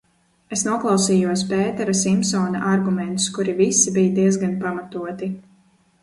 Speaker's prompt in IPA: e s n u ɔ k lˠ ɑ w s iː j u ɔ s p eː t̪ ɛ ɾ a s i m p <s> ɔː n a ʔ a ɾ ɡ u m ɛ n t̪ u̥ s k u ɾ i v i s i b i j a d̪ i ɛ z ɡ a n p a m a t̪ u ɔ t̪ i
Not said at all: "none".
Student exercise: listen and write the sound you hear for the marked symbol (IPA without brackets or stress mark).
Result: s